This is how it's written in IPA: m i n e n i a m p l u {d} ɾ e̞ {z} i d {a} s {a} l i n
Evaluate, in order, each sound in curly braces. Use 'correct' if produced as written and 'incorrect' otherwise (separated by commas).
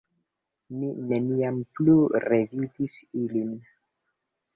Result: incorrect, incorrect, incorrect, incorrect